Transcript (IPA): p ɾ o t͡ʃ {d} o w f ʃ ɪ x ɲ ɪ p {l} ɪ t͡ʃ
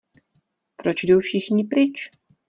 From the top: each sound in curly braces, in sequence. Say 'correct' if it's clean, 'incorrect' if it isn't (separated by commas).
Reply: correct, incorrect